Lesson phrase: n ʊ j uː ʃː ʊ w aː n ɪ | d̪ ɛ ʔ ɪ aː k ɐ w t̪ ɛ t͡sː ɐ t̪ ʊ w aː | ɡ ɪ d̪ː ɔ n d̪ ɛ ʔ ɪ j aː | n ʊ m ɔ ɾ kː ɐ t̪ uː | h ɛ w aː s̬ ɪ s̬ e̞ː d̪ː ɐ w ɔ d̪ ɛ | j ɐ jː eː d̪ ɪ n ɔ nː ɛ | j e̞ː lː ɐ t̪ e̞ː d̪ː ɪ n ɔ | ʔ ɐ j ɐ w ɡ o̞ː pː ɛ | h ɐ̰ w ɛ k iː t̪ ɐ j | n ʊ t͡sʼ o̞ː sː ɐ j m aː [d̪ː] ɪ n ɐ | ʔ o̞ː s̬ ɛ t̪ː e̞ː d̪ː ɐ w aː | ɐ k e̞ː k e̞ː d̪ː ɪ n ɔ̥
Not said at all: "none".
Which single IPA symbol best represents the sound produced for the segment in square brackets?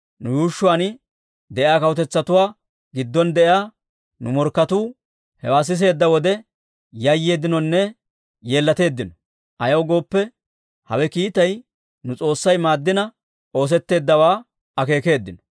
d̪ː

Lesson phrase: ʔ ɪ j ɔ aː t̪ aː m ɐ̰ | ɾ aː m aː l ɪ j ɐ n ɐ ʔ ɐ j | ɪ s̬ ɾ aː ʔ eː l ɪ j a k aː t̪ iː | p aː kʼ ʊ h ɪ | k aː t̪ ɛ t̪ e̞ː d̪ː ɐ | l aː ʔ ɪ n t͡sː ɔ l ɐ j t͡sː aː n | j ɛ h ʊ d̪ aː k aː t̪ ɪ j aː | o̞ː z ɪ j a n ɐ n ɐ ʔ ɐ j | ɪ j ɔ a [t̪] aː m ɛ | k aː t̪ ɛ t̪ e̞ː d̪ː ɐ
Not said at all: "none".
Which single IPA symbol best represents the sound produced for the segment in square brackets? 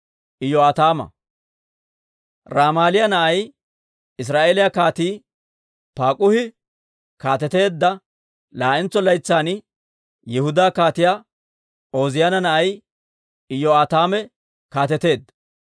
t̪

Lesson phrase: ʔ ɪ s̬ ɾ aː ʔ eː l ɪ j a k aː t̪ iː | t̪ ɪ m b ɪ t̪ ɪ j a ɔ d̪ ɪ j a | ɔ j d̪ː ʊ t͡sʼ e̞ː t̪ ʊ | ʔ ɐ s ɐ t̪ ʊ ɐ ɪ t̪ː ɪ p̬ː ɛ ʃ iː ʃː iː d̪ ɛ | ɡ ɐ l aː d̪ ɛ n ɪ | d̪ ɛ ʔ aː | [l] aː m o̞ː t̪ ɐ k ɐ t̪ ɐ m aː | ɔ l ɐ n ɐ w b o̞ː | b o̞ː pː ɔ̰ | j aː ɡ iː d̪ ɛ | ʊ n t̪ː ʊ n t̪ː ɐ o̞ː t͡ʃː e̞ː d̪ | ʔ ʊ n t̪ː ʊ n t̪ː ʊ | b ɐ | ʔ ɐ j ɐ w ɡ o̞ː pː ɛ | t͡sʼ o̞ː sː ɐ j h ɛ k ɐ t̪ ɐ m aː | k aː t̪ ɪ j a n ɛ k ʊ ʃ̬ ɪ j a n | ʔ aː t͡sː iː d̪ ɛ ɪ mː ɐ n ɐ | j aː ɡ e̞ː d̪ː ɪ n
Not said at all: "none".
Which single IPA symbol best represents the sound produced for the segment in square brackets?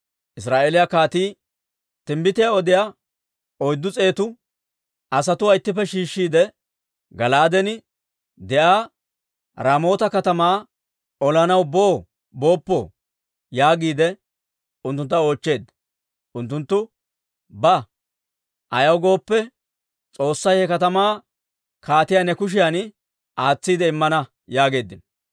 ɾ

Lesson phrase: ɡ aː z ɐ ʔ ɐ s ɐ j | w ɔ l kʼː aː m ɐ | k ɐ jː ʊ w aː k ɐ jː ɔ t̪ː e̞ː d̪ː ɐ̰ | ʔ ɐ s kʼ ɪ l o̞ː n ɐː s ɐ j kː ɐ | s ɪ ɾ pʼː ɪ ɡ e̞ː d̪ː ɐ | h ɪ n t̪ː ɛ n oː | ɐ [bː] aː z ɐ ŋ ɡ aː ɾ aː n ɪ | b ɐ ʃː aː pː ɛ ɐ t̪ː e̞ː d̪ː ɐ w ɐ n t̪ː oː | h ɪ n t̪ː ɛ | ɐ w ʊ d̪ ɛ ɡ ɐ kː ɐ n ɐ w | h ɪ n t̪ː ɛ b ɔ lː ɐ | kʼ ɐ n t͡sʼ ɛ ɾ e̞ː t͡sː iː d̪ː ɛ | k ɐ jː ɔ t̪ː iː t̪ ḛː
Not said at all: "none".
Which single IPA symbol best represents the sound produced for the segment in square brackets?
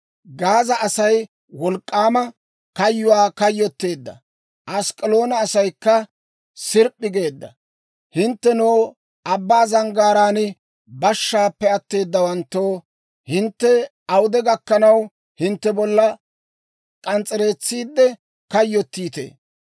bː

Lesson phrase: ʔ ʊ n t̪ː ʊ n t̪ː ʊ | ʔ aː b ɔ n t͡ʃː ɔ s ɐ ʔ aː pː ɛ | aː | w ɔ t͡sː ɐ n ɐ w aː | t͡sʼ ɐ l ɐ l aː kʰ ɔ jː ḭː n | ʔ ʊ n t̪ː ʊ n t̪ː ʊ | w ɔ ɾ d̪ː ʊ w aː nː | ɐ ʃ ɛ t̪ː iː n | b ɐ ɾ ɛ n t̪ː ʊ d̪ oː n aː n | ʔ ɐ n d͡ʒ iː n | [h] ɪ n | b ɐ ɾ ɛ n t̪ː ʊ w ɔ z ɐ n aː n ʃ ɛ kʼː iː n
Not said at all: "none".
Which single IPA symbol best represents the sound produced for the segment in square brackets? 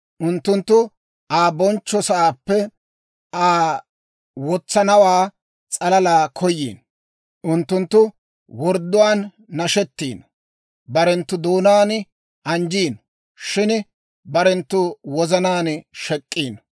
ʃ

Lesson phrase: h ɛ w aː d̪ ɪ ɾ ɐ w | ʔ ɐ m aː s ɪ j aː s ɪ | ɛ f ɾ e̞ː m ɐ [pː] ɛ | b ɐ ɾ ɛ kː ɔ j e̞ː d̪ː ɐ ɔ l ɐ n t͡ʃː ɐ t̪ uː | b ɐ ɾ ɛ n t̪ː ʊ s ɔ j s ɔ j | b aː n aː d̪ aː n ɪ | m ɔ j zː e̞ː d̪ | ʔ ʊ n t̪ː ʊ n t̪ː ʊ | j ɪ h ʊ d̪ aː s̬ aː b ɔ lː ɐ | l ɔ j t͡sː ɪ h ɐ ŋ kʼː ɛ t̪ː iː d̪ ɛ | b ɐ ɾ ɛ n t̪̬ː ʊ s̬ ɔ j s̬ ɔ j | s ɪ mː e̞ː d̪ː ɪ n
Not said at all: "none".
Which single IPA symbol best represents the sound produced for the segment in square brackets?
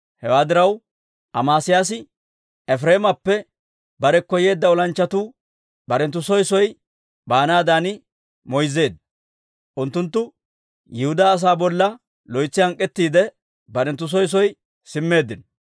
pː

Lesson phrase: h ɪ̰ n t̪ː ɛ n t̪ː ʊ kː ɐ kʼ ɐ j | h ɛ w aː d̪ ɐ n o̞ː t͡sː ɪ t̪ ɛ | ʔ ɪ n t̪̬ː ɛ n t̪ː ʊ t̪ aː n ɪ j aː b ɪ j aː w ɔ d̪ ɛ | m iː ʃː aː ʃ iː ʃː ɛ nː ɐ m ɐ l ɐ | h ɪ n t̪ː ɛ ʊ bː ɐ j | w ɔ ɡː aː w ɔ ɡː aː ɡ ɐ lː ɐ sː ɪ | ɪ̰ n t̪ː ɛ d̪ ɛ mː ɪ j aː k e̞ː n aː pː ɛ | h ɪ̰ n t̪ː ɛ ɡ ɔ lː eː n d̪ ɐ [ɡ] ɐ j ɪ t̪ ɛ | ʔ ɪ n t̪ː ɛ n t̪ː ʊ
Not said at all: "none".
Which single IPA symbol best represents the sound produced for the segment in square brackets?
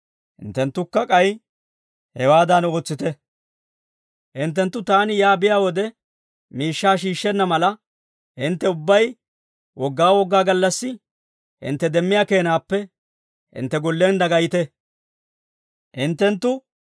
ɡ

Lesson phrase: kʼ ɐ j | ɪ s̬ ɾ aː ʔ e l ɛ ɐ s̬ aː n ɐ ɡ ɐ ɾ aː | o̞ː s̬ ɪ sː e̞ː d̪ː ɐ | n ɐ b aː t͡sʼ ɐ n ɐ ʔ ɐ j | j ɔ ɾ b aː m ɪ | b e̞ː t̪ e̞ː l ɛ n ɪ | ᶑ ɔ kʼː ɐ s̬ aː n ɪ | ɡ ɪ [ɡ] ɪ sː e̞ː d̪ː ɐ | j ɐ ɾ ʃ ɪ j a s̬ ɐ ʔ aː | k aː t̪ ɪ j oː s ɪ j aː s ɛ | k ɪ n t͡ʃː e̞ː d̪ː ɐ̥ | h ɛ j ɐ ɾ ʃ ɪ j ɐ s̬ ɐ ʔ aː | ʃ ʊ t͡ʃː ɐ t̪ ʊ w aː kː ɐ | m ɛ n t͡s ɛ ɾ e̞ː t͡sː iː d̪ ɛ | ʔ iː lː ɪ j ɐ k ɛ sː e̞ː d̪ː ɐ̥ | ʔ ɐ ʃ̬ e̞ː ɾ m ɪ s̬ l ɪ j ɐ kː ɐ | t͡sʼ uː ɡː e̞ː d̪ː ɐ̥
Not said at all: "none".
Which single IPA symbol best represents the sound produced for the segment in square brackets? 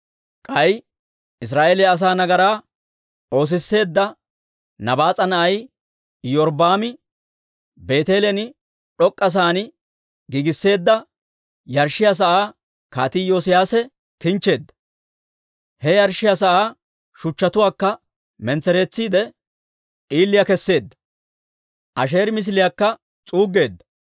ɡ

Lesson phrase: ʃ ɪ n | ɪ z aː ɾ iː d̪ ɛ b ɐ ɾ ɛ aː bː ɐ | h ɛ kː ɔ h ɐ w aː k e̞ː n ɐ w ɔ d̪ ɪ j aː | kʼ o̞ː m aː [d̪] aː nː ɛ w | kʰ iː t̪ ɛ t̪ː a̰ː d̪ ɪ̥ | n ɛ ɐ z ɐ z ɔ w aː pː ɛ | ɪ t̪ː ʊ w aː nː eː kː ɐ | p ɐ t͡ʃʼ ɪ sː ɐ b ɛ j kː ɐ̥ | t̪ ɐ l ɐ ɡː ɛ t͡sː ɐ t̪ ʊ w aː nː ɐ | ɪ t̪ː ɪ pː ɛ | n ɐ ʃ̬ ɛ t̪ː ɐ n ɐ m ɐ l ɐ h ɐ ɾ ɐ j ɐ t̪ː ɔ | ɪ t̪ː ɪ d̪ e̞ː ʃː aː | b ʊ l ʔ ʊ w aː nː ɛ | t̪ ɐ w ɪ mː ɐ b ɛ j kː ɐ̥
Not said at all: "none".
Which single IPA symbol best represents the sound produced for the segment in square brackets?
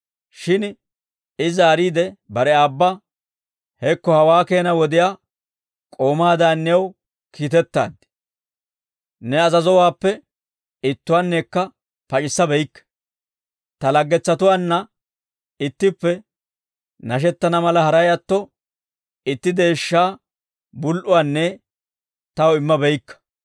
d̪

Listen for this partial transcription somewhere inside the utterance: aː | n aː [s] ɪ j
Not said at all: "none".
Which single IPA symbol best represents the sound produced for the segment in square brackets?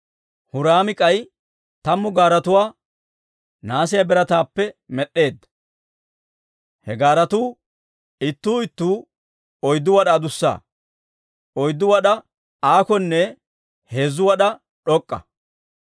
s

